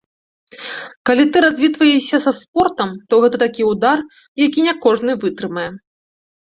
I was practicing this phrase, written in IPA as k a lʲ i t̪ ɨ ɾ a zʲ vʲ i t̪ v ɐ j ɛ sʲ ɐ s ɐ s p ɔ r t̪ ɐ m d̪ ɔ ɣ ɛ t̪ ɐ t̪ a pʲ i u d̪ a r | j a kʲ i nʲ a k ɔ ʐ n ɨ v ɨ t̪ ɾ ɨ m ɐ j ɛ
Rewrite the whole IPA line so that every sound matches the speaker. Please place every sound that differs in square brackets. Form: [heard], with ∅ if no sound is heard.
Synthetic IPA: k a lʲ i t̪ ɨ ɾ a zʲ vʲ i t̪ v ɐ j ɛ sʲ ɐ s ɐ s p ɔ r t̪ ɐ m [t̪] ɔ ɣ ɛ t̪ ɐ t̪ a [kʲ] i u d̪ a r | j a kʲ i nʲ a k ɔ ʐ n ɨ v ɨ t̪ ɾ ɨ m ɐ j ɛ

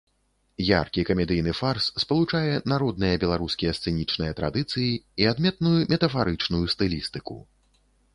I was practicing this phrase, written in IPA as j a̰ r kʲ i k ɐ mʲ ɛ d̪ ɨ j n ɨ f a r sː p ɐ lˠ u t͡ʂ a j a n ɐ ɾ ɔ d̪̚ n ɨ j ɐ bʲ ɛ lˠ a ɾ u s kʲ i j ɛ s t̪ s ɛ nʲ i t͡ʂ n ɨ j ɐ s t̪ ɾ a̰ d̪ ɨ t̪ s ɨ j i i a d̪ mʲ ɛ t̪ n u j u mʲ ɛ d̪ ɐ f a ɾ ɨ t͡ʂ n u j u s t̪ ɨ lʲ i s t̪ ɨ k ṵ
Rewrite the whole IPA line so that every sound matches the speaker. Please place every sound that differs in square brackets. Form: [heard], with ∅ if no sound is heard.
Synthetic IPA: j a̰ r kʲ i k ɐ mʲ ɛ d̪ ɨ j n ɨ f a r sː p ɐ lˠ u t͡ʂ a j [ɛ] n [a] ɾ ɔ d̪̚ n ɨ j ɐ bʲ ɛ lˠ a ɾ u s kʲ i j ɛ s t̪ s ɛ nʲ i t͡ʂ n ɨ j ɐ [∅] t̪ ɾ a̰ d̪ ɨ t̪ s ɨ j i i a d̪ mʲ ɛ t̪ n u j u mʲ ɛ [t̪] ɐ f a ɾ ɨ t͡ʂ n u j u s t̪ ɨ lʲ i s t̪ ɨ k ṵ

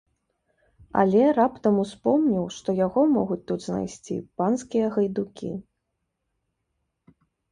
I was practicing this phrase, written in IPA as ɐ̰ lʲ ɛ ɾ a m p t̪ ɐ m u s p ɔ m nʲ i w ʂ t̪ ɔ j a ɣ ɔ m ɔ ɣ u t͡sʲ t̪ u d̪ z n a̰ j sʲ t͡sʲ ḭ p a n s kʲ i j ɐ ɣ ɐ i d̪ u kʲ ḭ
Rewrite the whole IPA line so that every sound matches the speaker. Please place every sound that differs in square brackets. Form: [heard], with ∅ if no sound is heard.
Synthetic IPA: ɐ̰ lʲ ɛ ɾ a [∅] p t̪ ɐ m u s p ɔ m nʲ i w ʂ t̪ ɔ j a ɣ ɔ m ɔ ɣ u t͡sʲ t̪ u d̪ z n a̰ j sʲ t͡sʲ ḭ p a n s kʲ i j ɐ ɣ ɐ [j] d̪ u kʲ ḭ

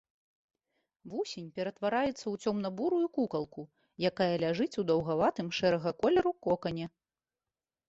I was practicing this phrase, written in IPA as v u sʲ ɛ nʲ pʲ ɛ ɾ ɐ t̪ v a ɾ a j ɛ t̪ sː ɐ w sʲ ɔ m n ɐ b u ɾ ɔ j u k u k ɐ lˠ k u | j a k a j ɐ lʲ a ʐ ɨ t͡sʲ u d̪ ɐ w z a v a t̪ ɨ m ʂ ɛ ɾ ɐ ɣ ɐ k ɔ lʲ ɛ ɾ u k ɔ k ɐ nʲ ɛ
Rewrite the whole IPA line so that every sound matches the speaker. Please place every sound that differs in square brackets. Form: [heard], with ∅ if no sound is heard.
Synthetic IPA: v u sʲ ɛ nʲ pʲ ɛ ɾ ɐ t̪ v a ɾ a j ɛ t̪ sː ɐ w [t͡sʲ] ɔ m n ɐ b u ɾ [u] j u k u k ɐ lˠ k u | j a k a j ɐ lʲ a ʐ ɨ t͡sʲ u d̪ ɐ w [ɣ] a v a t̪ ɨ m ʂ ɛ ɾ ɐ ɣ ɐ k ɔ lʲ ɛ ɾ u k ɔ k ɐ nʲ ɛ

